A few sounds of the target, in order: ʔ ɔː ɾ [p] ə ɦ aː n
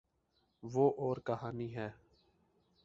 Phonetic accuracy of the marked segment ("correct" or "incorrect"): incorrect